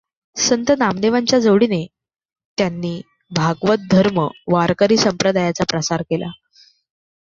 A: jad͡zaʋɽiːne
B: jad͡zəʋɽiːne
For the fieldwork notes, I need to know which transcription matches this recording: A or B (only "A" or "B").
B